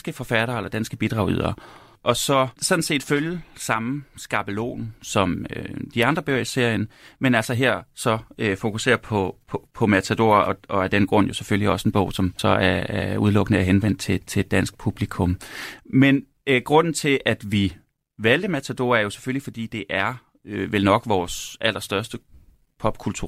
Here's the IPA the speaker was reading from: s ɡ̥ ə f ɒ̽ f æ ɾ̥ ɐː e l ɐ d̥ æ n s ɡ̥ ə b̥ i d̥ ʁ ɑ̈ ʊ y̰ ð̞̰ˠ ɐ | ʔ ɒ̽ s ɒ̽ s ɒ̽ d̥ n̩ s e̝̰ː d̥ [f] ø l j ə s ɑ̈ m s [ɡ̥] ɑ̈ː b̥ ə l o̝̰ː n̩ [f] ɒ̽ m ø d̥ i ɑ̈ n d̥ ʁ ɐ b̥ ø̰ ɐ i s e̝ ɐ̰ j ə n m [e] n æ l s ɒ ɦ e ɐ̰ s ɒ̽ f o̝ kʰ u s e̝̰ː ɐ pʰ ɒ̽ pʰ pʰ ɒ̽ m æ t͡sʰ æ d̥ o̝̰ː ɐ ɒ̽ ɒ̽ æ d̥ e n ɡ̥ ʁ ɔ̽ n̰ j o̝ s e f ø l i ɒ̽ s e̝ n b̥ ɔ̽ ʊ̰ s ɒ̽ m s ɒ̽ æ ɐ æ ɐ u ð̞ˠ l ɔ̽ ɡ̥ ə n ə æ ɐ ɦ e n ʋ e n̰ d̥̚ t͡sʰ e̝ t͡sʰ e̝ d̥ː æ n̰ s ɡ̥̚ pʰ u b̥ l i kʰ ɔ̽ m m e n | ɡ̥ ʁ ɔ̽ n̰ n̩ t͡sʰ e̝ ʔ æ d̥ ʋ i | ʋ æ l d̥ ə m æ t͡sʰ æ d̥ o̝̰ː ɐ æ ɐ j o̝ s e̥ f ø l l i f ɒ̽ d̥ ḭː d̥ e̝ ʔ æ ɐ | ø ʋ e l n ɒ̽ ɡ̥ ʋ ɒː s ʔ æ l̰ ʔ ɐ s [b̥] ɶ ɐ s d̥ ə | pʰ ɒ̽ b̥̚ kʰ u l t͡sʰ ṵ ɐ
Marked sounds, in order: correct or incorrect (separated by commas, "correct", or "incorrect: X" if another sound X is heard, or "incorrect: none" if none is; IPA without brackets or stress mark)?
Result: correct, correct, incorrect: s, correct, incorrect: d̥